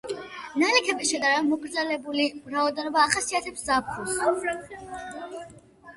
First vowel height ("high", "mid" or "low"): low